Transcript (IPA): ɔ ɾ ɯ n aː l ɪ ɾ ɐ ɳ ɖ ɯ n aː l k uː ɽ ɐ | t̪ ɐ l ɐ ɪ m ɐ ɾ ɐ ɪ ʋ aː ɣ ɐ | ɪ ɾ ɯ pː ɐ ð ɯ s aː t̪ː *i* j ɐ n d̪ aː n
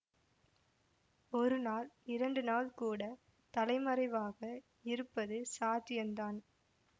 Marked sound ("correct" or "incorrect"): incorrect